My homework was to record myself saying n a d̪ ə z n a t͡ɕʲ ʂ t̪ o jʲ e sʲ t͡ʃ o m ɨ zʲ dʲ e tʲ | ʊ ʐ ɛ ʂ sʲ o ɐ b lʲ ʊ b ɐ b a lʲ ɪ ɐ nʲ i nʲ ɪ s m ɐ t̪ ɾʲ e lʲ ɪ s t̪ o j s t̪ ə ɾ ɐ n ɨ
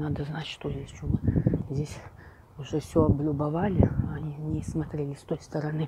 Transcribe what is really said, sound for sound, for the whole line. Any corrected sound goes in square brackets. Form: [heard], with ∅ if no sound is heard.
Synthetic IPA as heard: n a d̪ ə z n a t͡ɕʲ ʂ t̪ o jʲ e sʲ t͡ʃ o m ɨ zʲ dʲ e [sʲ] | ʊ ʐ ɛ [f] sʲ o ɐ b lʲ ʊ b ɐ [v] a lʲ ɪ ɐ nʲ i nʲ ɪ s m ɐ t̪ ɾʲ e lʲ ɪ s t̪ o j s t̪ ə ɾ ɐ n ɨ